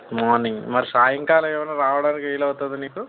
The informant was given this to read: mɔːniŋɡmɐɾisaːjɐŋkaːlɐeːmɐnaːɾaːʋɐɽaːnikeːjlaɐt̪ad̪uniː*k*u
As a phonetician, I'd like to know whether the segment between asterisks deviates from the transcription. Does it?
no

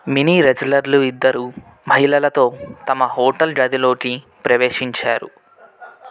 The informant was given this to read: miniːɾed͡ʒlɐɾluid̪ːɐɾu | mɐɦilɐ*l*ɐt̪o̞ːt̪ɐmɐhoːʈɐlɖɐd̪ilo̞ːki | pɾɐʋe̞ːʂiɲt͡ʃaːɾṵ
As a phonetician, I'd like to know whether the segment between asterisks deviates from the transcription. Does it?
no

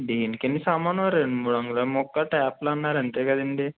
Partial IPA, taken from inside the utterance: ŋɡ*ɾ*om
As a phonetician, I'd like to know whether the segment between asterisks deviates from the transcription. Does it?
yes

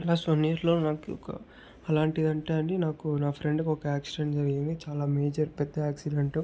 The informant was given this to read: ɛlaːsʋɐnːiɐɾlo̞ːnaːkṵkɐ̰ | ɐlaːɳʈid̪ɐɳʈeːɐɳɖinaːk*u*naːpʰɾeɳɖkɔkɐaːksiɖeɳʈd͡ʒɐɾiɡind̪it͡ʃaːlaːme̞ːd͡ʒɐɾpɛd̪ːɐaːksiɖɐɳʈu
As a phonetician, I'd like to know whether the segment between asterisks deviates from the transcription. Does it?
no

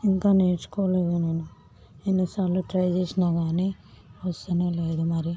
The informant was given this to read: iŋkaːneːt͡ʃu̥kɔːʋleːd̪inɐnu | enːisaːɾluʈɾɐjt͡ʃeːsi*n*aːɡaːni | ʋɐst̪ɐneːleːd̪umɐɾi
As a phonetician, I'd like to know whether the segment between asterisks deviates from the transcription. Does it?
no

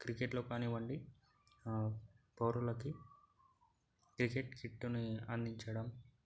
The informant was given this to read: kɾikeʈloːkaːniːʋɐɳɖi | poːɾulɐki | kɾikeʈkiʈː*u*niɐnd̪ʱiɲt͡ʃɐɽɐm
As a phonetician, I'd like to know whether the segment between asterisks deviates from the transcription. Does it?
no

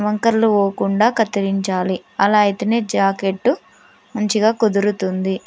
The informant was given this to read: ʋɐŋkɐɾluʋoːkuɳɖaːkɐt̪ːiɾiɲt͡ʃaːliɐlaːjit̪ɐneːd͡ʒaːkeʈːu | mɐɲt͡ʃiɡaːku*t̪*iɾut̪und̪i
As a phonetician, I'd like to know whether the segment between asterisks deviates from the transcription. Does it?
yes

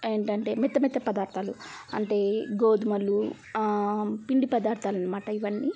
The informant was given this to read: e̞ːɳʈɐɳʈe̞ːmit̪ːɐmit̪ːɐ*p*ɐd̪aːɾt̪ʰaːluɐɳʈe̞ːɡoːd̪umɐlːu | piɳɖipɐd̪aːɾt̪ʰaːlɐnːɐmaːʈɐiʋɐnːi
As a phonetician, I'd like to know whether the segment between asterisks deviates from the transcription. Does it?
no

